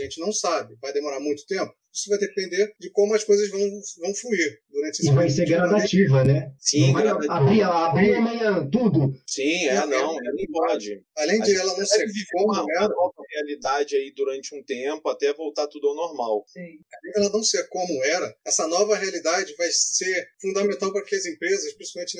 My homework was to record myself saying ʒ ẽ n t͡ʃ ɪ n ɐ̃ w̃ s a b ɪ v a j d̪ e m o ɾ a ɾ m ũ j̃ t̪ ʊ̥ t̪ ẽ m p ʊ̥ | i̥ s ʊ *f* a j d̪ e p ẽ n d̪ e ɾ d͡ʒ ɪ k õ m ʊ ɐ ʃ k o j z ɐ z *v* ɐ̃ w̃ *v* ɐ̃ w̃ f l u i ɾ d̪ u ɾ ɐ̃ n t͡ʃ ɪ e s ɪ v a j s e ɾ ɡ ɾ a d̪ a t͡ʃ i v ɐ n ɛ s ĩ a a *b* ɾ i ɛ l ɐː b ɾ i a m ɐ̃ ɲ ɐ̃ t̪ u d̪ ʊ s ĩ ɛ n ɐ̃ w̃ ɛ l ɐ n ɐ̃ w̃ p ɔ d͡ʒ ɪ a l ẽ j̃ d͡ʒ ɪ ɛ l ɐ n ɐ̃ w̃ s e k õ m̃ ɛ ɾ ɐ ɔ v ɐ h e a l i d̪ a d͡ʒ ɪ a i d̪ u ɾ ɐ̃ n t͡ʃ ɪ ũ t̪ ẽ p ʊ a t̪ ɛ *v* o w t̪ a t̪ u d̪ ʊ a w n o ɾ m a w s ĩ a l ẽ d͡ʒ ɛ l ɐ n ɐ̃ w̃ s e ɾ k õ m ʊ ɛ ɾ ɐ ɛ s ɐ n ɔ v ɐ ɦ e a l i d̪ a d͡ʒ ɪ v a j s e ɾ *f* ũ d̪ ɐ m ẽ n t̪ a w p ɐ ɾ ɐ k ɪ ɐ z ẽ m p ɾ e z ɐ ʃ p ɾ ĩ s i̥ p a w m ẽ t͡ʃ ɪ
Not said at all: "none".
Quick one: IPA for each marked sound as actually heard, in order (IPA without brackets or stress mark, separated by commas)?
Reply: v, v, v, b, v, f